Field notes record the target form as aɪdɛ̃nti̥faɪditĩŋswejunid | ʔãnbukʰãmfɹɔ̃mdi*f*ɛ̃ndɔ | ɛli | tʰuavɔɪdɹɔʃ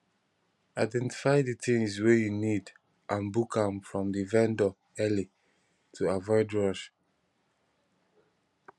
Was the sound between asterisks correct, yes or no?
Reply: no